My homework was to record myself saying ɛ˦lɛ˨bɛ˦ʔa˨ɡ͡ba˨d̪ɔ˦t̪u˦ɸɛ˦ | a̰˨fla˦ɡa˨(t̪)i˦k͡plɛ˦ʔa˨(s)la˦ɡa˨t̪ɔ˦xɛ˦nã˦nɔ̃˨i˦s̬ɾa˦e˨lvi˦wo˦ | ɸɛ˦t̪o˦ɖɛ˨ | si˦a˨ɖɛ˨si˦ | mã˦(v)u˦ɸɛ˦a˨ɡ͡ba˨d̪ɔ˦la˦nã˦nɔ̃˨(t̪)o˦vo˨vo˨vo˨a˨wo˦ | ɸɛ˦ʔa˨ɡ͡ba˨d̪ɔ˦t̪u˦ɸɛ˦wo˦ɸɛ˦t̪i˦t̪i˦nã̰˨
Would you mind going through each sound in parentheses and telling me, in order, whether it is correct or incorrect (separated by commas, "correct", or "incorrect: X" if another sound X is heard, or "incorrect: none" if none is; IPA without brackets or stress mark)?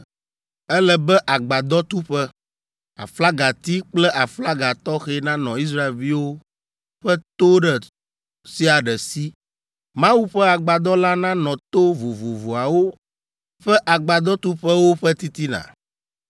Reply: correct, incorrect: f, incorrect: w, correct